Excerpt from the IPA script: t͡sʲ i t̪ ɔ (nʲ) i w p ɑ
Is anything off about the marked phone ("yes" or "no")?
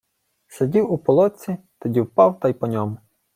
yes